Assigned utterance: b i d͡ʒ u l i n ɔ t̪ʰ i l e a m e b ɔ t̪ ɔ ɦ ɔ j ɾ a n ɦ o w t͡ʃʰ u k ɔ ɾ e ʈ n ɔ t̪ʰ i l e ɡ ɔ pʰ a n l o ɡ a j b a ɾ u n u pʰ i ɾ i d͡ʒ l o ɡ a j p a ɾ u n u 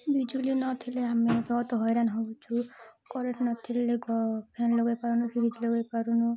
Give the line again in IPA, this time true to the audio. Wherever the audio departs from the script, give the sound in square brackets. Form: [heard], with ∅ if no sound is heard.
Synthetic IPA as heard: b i d͡ʒ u l i n ɔ t̪ʰ i l e a m e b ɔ t̪ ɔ ɦ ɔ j ɾ a n ɦ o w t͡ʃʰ u k ɔ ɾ e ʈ n ɔ t̪ʰ i l e ɡ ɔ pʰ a n l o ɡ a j [p] a ɾ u n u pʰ i ɾ i d͡ʒ l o ɡ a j p a ɾ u n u